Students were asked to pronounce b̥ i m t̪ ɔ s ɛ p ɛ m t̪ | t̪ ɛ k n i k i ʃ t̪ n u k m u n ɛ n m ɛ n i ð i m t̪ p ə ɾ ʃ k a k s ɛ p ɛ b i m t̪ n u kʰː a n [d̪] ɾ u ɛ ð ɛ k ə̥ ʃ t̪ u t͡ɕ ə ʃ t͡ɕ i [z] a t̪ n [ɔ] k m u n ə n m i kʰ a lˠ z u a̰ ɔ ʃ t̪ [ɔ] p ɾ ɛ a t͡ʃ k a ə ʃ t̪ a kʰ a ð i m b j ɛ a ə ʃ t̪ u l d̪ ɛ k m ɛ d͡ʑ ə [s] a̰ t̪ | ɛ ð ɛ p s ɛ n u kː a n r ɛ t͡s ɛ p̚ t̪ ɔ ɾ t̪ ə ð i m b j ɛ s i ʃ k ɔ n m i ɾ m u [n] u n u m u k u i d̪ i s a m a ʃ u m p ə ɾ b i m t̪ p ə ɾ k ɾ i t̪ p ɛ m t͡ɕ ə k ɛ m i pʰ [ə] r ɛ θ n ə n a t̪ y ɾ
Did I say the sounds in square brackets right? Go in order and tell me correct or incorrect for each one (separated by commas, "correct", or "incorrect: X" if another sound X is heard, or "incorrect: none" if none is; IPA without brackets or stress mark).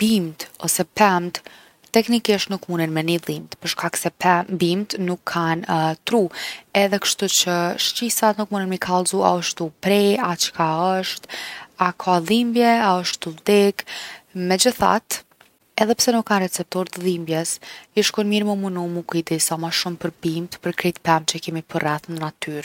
incorrect: t̪, incorrect: s, incorrect: u, incorrect: u, incorrect: θ, incorrect: m, correct